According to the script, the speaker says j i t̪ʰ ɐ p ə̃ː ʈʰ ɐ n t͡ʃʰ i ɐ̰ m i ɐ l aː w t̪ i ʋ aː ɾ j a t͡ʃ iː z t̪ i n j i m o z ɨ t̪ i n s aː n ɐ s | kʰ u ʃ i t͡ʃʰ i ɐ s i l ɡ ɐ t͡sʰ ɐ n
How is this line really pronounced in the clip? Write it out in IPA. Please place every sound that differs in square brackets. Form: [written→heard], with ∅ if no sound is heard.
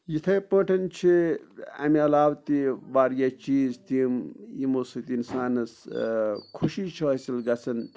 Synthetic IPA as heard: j i t̪ʰ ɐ p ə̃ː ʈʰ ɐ n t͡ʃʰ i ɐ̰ m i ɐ l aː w t̪ i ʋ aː ɾ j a t͡ʃ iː z t̪ i [n→m] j i m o [z→s] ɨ t̪ i n s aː n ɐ s | kʰ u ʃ i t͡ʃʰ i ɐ s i l ɡ ɐ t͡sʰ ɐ n